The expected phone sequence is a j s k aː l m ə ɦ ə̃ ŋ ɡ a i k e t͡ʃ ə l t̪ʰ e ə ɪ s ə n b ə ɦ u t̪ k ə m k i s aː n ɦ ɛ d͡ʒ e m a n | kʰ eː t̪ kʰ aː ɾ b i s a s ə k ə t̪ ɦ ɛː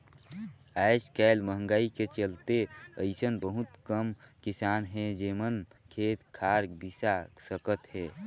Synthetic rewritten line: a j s k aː l m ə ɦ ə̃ ŋ ɡ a i k e t͡ʃ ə l t̪ e ə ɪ s ə n b ə ɦ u t̪ k ə m k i s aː n ɦ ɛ d͡ʒ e m ə n | kʰ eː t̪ kʰ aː ɾ b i s a s ə k ə t̪ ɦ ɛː

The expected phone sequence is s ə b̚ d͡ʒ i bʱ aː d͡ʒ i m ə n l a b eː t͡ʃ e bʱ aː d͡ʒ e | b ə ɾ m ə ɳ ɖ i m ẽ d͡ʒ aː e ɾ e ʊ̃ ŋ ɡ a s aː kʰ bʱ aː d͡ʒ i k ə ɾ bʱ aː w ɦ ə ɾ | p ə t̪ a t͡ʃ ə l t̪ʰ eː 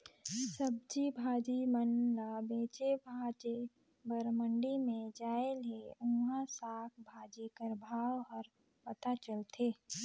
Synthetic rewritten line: s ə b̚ d͡ʒ i bʱ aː d͡ʒ i m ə n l a b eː t͡ʃ e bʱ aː d͡ʒ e | b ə ɾ m ə ɳ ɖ i m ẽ d͡ʒ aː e l e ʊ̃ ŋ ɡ a s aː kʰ bʱ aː d͡ʒ i k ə ɾ bʱ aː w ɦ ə ɾ | p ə t̪ a t͡ʃ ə l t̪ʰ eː

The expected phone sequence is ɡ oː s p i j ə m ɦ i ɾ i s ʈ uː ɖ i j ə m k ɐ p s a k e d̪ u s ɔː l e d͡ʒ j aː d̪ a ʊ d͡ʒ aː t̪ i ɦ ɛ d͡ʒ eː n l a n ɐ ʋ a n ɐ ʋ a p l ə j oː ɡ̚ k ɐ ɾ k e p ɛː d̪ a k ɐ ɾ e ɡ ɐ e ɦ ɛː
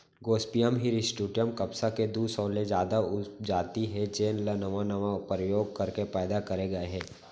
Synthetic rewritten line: ɡ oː s p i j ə m ɦ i ɾ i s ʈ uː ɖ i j ə m k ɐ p s a k e d̪ u s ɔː l e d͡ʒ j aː d̪ a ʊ d͡ʒ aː t̪ i ɦ ɛ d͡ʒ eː n l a n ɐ ʋ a n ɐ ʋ a p ɾ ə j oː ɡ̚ k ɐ ɾ k e p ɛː d̪ a k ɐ ɾ e ɡ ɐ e ɦ ɛː

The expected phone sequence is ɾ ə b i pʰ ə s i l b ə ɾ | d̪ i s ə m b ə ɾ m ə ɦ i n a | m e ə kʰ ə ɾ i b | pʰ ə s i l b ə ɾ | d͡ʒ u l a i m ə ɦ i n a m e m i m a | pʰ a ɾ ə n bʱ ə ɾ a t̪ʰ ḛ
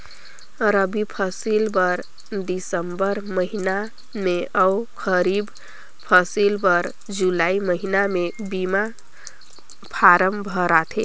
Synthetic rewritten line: ɾ ə b i pʰ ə s i l b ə ɾ | d̪ i s ə m b ə ɾ m ə ɦ i n a | m e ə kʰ ə ɾ i b | pʰ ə s i l b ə ɾ | d͡ʒ u l a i m ə ɦ i n a m e b i m a | pʰ a ɾ ə m bʱ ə ɾ a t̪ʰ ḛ

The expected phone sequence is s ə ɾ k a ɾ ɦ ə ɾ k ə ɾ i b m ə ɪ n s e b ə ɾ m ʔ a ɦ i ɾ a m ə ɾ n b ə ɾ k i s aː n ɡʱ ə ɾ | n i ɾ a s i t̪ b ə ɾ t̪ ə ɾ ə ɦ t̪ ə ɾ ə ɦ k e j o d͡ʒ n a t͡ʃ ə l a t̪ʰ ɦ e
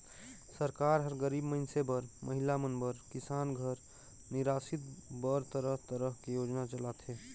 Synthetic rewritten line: s ə ɾ k a ɾ ɦ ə ɾ ɡ ə ɾ i b m ə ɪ n s e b ə ɾ m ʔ ə ɦ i l a m ə n b ə ɾ k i s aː n ɡʱ ə ɾ | n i ɾ a s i t̪ b ə ɾ t̪ ə ɾ ə ɦ t̪ ə ɾ ə ɦ k e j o d͡ʒ n a t͡ʃ ə l a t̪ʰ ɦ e

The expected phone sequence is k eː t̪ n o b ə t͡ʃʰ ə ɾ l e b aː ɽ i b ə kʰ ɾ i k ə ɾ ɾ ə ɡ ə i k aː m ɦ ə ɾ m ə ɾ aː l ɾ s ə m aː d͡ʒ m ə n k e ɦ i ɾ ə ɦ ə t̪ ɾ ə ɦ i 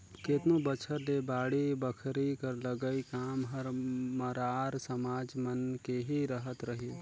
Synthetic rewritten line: k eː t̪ n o b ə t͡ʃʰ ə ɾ l e b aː ɽ i b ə kʰ ɾ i k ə ɾ l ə ɡ ə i k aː m ɦ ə ɾ m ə ɾ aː ɾ s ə m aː d͡ʒ m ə n k e ɦ i ɾ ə ɦ ə t̪ ɾ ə ɦ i

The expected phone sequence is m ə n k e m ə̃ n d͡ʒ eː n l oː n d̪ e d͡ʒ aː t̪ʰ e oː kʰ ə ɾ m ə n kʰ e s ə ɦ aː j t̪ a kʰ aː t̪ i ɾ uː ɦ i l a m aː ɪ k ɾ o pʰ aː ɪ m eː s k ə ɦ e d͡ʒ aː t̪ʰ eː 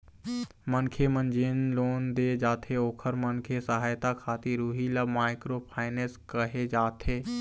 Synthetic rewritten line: m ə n kʰ e m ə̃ n d͡ʒ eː n l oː n d̪ e d͡ʒ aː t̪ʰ e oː kʰ ə ɾ m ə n kʰ e s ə ɦ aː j t̪ a kʰ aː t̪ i ɾ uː ɦ i l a m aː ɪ k ɾ o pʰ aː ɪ n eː s k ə ɦ e d͡ʒ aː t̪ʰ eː

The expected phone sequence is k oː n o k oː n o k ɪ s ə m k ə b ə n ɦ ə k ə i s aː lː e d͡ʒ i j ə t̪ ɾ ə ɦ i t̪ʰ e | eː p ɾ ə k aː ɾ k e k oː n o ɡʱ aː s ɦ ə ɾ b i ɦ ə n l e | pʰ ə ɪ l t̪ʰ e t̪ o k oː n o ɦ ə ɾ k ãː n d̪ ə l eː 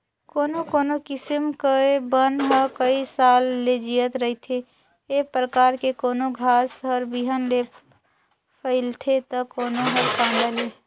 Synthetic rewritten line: k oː n o k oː n o k ɪ s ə m k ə b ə n ɦ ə k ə i s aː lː e d͡ʒ i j ə t̪ ɾ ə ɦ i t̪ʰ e | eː p ɾ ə k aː ɾ k e k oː n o ɡʱ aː s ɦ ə ɾ b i ɦ ə n l e | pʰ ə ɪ l t̪ʰ e t̪ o k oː n o ɦ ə ɾ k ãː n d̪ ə l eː

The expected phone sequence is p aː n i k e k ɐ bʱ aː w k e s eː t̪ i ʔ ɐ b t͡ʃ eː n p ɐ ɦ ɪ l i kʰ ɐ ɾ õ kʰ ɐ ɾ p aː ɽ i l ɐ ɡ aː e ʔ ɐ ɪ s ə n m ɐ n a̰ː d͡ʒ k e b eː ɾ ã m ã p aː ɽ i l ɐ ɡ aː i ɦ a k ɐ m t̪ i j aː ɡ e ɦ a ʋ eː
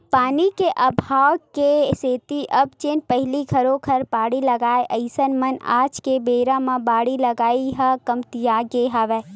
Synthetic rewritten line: p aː n i k e ʔ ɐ bʱ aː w k e s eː t̪ i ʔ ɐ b t͡ʃ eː n p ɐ ɦ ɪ l i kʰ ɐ ɾ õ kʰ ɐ ɾ p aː ɽ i l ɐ ɡ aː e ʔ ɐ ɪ s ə n m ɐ n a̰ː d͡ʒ k e b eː ɾ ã m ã b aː ɽ i l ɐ ɡ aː i ɦ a k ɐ m t̪ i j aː ɡ e ɦ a ʋ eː

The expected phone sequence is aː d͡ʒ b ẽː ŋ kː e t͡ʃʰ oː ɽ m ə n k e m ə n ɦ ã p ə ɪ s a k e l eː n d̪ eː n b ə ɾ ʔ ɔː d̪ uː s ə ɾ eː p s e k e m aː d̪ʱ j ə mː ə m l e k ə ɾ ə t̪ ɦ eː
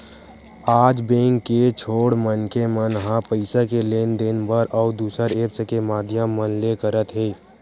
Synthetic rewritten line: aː d͡ʒ b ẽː ŋ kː e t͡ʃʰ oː ɽ m ə n k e m ə n ɦ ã p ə ɪ s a k e l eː n d̪ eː n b ə ɾ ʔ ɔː d̪ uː s ə ɾ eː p s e k e m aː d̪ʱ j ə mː ə n l e k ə ɾ ə t̪ ɦ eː

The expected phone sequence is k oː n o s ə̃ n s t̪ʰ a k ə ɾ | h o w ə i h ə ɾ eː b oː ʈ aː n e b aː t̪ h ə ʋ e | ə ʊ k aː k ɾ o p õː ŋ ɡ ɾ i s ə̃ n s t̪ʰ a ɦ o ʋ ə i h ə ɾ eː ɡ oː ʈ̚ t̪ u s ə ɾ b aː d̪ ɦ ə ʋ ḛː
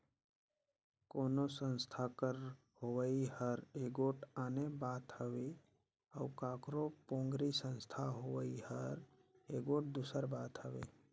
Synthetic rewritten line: k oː n o s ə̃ n s t̪ʰ a k ə ɾ | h o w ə i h ə ɾ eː ɡ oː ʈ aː n e b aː t̪ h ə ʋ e | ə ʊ k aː k ɾ o p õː ŋ ɡ ɾ i s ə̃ n s t̪ʰ a ɦ o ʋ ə i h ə ɾ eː ɡ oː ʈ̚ d̪ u s ə ɾ b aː t̪ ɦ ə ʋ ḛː

